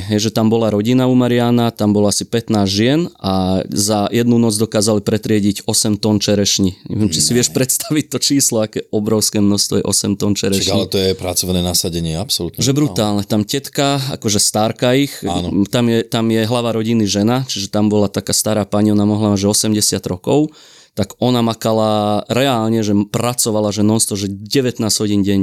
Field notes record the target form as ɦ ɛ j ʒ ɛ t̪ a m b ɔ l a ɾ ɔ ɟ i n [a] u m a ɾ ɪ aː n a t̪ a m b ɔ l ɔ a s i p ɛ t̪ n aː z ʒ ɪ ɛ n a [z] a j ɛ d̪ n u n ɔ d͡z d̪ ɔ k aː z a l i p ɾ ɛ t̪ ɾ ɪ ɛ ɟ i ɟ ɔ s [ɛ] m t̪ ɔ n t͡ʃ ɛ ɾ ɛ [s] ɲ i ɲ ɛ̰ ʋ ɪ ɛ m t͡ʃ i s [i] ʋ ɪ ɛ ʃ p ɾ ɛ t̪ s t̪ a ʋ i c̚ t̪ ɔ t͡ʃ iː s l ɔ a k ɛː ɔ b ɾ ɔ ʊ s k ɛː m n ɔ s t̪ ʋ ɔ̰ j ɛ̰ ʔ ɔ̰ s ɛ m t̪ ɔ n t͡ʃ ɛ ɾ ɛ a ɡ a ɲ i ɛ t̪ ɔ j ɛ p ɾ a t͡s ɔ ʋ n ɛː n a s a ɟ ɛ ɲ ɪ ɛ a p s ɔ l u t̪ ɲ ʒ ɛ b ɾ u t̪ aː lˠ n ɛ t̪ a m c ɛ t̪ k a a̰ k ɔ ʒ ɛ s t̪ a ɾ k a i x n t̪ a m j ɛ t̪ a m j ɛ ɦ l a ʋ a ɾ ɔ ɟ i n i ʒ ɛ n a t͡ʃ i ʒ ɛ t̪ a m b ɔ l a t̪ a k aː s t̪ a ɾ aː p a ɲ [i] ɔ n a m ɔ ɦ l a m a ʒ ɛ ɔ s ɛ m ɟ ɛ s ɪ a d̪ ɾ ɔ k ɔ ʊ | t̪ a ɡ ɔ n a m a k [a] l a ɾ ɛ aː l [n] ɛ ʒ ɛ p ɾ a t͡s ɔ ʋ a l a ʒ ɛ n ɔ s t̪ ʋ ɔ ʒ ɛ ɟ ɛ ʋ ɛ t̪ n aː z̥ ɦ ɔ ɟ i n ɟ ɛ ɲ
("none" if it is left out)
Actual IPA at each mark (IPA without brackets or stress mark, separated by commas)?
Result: a, z, ɛ, ʃ, i, i, a, ɲ